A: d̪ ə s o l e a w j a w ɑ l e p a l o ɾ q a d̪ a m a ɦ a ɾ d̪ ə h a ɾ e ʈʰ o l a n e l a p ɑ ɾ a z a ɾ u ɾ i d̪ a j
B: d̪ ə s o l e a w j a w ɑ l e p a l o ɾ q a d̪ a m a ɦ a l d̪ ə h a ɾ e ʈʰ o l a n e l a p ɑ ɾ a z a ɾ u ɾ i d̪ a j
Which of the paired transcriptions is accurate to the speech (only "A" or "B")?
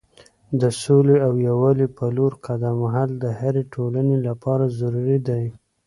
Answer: B